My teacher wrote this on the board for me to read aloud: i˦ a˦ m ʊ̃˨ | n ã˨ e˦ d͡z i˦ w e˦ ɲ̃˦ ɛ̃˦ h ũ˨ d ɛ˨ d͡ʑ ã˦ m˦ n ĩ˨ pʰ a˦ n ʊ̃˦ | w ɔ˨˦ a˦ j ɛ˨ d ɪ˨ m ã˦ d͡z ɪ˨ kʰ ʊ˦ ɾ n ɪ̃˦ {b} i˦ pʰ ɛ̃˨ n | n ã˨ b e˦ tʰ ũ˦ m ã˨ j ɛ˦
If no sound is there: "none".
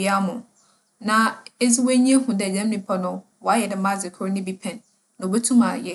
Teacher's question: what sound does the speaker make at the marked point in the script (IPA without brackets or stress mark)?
b